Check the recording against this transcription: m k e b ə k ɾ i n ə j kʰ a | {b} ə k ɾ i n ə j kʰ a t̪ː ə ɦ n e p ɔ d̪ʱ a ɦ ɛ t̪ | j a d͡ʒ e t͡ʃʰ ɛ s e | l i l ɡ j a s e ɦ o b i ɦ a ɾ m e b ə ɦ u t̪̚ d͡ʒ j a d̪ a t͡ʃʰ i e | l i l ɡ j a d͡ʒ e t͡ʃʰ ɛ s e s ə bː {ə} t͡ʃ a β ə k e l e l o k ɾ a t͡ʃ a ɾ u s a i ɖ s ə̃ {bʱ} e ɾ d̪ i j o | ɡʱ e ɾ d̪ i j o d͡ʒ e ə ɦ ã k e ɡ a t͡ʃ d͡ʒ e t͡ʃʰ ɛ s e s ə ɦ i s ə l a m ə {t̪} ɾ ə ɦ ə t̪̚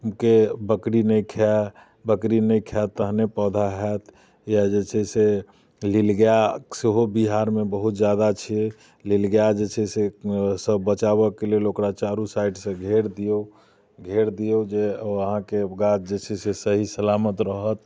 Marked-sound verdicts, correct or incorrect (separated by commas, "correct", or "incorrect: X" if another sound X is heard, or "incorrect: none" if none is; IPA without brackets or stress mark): correct, correct, incorrect: ɡʱ, correct